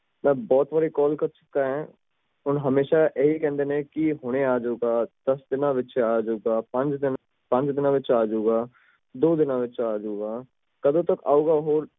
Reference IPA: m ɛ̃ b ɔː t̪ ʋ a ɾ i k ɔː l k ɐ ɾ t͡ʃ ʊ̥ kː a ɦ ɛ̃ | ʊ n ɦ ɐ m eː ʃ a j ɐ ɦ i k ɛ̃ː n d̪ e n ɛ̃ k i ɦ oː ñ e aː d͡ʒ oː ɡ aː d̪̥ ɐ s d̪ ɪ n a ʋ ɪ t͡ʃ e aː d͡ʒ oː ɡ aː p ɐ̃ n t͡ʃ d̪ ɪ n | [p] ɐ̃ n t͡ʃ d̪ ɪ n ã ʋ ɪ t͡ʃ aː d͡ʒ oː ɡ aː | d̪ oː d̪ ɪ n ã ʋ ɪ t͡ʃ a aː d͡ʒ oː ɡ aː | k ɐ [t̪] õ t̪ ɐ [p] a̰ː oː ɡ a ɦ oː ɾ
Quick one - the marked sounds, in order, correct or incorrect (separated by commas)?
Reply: correct, incorrect, incorrect